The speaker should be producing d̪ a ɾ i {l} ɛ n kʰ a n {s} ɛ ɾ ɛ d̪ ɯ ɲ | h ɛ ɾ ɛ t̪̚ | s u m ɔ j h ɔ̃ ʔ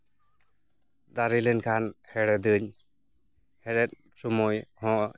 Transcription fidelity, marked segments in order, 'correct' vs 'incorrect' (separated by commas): correct, incorrect